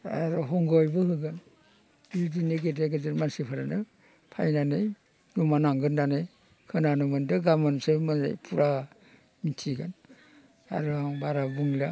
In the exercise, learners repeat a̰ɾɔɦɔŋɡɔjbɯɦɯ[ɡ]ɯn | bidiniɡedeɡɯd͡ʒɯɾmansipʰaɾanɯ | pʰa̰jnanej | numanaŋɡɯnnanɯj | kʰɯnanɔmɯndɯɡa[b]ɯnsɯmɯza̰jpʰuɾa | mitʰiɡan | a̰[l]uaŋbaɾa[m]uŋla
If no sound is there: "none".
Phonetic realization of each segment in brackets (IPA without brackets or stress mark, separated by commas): ɡ, m, ɾ, b